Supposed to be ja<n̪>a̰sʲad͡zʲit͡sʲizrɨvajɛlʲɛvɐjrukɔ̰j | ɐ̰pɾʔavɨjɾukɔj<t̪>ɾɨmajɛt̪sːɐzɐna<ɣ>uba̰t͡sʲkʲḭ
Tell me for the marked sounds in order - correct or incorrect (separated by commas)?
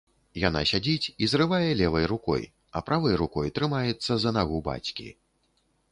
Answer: correct, correct, correct